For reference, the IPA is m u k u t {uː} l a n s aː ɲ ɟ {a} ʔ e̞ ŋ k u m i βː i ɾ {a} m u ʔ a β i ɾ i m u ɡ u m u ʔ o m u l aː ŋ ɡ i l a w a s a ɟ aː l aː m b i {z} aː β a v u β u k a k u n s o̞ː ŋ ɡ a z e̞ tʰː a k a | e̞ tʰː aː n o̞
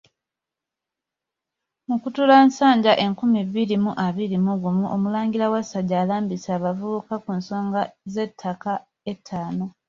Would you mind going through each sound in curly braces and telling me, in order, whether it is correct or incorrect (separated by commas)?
incorrect, correct, incorrect, incorrect